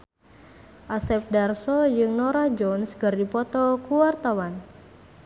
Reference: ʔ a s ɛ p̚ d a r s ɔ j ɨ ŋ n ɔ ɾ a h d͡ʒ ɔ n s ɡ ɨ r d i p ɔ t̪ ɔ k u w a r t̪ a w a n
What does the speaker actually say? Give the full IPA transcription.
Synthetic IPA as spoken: ʔ a s ɛ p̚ d a r s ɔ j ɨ ŋ n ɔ ɾ a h d͡ʒ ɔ n s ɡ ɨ r d i p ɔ t̪ ɔ k u w a r t̪ a w a n